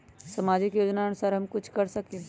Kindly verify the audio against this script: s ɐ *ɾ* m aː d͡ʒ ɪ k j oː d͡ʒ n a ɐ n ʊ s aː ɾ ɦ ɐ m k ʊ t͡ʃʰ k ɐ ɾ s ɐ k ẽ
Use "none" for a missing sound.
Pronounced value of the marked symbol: none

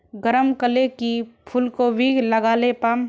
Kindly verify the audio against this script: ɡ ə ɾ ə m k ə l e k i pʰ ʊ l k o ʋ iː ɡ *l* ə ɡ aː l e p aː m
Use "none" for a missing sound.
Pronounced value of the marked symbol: l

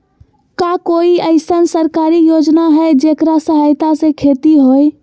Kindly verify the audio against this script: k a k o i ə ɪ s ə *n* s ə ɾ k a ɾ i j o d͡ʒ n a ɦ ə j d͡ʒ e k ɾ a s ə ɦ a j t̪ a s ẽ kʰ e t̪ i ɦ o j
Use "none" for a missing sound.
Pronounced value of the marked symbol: n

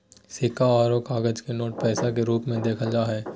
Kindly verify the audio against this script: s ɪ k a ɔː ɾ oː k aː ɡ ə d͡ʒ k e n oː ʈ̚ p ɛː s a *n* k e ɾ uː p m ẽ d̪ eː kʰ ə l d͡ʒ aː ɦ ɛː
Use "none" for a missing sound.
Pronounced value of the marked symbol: none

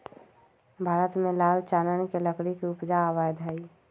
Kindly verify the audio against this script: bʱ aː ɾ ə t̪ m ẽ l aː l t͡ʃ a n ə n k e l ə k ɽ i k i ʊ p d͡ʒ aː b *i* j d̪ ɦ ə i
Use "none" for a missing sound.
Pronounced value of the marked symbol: a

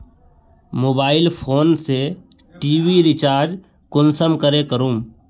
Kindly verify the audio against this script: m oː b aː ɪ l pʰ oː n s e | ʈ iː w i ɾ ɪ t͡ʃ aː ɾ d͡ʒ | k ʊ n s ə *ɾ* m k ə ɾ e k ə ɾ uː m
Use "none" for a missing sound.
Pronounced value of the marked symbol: none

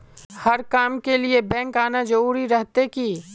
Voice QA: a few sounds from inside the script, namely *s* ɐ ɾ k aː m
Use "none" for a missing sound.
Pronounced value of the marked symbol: h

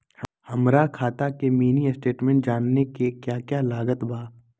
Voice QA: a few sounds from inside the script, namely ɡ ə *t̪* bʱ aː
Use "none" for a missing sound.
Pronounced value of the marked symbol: t̪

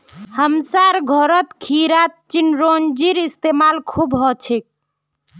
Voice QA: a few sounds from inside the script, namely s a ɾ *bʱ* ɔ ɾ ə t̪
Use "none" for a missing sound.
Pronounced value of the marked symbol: ɡʱ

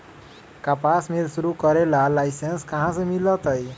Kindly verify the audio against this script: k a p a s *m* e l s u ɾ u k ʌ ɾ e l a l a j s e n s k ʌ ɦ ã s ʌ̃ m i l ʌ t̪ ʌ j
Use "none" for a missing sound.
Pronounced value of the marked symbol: m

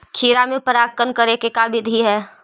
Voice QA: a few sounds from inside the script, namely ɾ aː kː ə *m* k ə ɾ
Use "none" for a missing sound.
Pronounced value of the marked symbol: n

